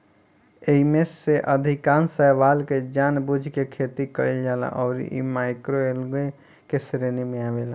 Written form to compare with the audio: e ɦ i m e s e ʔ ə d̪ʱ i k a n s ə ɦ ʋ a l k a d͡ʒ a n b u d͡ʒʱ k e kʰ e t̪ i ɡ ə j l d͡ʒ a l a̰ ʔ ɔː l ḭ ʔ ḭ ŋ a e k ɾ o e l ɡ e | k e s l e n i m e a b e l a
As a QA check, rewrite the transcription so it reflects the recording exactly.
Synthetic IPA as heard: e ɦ i m e s e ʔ ə d̪ʱ i k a n s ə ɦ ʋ a l k e d͡ʒ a n b u d͡ʒʱ k e kʰ e t̪ i k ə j l d͡ʒ a l a̰ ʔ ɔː ɾ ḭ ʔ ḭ m a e k ɾ o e l ɡ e | k e s ɾ e n i m e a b e l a